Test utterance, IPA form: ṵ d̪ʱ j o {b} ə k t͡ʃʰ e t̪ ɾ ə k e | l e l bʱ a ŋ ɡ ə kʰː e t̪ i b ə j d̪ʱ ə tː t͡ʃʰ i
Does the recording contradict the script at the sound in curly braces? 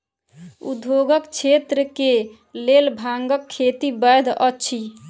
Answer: yes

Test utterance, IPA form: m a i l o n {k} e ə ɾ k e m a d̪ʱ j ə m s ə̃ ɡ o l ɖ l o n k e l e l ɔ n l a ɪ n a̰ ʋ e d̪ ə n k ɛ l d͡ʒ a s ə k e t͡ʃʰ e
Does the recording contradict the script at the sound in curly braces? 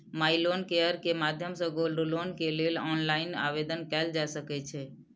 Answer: no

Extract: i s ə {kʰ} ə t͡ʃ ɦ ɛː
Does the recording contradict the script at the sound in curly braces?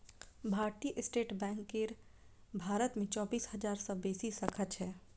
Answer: no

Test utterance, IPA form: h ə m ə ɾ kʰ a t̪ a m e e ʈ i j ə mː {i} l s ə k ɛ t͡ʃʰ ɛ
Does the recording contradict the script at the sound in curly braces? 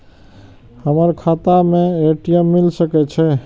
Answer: no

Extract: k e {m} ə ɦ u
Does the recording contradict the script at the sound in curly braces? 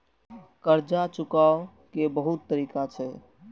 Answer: yes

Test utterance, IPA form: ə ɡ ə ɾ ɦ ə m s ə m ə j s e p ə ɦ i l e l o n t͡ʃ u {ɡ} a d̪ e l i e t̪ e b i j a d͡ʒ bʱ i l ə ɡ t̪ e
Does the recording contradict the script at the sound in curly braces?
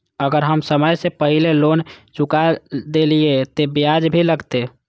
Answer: yes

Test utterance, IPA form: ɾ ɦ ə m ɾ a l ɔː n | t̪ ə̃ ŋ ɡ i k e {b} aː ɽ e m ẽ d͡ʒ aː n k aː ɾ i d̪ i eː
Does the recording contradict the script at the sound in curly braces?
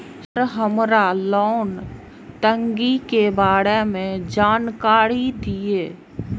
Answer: no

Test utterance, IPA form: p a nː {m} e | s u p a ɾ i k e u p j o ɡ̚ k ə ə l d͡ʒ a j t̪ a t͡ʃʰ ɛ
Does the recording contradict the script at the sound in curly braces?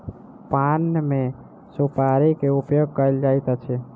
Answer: no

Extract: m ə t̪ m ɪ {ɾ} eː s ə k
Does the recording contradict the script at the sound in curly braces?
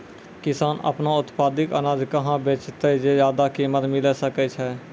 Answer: yes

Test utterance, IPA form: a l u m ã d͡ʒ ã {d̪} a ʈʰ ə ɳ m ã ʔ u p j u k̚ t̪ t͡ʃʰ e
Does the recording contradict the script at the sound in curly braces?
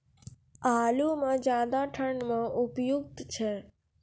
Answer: no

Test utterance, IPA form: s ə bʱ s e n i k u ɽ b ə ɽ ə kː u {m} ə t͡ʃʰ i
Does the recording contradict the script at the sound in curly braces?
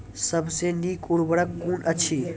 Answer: yes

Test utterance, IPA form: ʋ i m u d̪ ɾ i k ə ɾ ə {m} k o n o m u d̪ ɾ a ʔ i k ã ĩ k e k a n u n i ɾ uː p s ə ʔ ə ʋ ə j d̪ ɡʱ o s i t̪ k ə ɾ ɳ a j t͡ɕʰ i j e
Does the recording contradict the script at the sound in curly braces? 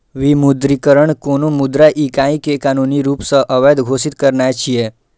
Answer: yes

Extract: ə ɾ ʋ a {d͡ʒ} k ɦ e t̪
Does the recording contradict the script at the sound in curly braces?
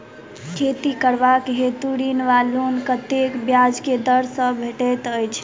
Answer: yes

